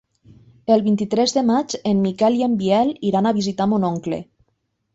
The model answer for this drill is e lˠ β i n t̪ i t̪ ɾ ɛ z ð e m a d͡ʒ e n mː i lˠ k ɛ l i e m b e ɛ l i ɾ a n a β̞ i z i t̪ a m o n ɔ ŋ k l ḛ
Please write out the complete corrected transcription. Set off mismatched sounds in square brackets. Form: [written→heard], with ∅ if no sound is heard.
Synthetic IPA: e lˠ β i n t̪ i t̪ ɾ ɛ z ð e m a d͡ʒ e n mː i [lˠ→∅] k ɛ l i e m b [e→i] ɛ l i ɾ a n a β̞ i z i t̪ a m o n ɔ ŋ k l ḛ